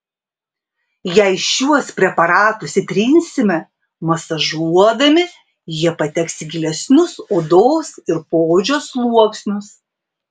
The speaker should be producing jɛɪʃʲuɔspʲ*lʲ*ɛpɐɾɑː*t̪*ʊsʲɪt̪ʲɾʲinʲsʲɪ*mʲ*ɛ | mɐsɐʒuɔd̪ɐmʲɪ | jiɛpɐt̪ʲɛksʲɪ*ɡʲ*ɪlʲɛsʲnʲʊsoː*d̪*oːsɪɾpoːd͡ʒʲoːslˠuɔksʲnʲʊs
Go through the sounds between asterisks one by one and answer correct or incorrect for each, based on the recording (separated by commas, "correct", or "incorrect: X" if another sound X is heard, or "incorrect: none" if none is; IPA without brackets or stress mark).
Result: incorrect: ɾʲ, correct, correct, correct, correct